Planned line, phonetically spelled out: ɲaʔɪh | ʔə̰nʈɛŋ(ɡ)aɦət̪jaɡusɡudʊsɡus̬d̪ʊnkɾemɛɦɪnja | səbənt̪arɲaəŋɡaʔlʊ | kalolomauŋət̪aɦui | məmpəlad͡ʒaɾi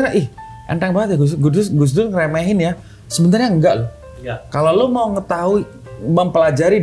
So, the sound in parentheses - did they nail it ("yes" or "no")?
no